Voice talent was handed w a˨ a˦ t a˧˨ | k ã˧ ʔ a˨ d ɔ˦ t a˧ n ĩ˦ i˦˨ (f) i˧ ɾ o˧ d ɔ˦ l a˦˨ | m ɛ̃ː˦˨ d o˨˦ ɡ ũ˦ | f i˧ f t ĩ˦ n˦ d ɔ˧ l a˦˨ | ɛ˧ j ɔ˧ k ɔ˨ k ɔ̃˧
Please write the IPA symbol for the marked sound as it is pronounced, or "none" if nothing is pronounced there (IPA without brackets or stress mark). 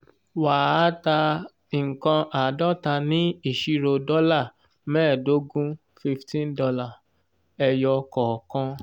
ʃ